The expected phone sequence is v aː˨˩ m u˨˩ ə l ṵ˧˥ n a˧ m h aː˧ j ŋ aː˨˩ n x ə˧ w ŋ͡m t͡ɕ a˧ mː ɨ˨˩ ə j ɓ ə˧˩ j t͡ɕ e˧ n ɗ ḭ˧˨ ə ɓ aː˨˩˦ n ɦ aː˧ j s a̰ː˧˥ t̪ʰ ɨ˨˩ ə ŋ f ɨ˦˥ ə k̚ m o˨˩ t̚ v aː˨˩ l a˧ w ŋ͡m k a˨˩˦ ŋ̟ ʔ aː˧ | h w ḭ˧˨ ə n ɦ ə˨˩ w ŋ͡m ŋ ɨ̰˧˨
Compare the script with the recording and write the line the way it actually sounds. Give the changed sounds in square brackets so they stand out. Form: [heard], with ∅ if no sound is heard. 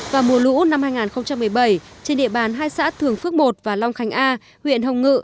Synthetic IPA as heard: v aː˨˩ m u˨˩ ə l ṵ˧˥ n a˧ m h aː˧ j ŋ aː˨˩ n x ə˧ w ŋ͡m t͡ɕ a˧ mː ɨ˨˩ ə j ɓ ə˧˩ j t͡ɕ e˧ n ɗ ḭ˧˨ ə ɓ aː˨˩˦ n ɦ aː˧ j s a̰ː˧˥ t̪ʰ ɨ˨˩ ə ŋ f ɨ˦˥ ə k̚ m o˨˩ t̚ v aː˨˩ l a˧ w ŋ͡m [x] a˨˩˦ ŋ̟ ʔ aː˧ | h w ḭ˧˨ ə n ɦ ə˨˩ w ŋ͡m ŋ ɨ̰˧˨